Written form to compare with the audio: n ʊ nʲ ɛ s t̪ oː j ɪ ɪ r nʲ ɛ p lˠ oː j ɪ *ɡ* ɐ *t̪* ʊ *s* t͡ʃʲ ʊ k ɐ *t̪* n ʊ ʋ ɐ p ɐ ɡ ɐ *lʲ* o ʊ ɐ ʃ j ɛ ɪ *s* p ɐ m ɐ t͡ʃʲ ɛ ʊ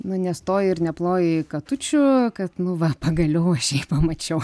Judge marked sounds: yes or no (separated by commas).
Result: no, yes, no, yes, yes, no